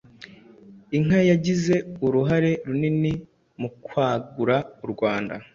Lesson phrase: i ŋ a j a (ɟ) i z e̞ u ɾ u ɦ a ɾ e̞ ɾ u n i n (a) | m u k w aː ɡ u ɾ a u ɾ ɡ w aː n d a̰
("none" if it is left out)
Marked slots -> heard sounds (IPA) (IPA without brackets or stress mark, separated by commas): ɟ, i